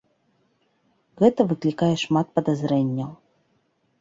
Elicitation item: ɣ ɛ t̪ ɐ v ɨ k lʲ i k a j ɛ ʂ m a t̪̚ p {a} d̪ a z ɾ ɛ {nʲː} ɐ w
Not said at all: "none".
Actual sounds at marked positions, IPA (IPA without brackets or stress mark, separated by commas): ɐ, nʲː